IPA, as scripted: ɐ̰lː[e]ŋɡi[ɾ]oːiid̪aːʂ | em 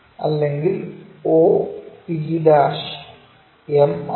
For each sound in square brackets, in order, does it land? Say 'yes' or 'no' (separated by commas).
yes, no